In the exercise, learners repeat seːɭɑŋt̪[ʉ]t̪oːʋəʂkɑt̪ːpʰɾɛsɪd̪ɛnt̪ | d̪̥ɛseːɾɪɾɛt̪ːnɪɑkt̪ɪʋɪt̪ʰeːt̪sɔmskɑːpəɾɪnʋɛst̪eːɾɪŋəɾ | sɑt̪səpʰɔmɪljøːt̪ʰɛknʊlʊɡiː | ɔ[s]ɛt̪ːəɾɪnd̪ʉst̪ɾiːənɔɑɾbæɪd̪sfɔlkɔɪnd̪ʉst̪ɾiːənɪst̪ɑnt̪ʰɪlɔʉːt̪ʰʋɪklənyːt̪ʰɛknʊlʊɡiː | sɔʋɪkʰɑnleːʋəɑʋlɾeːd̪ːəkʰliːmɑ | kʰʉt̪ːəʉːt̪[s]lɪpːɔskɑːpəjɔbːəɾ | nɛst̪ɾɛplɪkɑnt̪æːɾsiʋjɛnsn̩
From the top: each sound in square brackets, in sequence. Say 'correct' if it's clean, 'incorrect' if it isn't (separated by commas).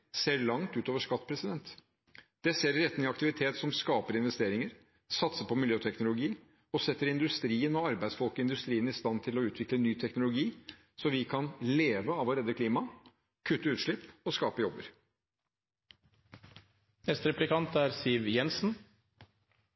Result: incorrect, correct, incorrect